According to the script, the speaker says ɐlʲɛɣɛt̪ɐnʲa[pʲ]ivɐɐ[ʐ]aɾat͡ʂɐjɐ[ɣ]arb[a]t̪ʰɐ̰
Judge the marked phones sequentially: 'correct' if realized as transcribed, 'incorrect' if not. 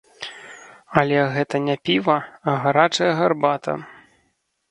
correct, incorrect: ɣ, correct, correct

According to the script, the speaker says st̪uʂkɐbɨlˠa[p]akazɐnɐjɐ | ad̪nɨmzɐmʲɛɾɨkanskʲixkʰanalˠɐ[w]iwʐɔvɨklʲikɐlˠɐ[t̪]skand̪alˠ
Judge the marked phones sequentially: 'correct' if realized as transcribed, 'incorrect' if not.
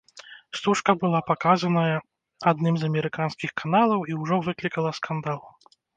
correct, correct, incorrect: none

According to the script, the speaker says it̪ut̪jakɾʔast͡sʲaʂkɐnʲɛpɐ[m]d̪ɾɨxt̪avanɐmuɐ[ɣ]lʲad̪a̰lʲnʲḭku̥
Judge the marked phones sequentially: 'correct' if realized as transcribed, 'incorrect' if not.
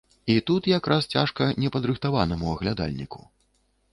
incorrect: none, correct

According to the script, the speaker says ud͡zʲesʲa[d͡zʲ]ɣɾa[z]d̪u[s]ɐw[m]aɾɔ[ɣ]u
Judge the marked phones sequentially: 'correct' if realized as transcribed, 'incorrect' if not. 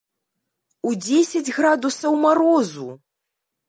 correct, incorrect: none, correct, correct, incorrect: z

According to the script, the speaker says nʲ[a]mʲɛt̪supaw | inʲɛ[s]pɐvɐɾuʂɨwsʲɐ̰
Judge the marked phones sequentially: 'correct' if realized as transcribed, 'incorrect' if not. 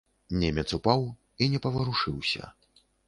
incorrect: ɛ, incorrect: none

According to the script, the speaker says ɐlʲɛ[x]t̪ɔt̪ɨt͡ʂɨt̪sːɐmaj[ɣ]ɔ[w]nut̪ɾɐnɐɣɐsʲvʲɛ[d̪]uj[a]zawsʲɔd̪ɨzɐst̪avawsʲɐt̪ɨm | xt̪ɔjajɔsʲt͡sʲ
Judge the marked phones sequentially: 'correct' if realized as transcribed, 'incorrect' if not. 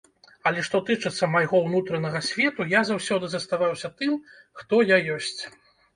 incorrect: ʂ, correct, correct, incorrect: t̪, correct

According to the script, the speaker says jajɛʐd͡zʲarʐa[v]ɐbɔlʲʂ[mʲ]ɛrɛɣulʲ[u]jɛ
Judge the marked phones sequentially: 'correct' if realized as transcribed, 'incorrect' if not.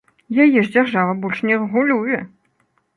correct, incorrect: nʲ, correct

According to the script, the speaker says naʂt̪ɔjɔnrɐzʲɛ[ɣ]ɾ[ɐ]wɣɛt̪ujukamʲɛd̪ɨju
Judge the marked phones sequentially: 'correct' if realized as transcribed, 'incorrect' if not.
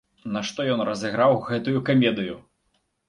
correct, incorrect: a

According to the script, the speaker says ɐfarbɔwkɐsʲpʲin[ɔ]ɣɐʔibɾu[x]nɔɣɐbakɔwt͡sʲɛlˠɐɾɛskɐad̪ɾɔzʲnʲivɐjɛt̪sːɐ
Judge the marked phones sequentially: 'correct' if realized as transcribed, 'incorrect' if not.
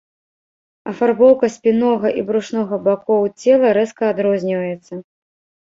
correct, incorrect: ʂ

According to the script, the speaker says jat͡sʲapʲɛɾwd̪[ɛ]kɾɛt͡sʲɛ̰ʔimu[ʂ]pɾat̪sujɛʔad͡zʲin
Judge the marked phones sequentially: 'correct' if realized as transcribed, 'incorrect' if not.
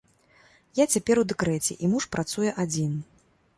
correct, correct

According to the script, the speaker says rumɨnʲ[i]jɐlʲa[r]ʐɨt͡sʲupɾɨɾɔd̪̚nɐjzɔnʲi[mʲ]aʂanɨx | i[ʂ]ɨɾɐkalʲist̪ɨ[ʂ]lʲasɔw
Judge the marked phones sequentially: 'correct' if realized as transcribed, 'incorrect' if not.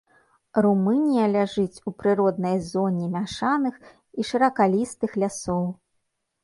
correct, incorrect: none, correct, correct, incorrect: x

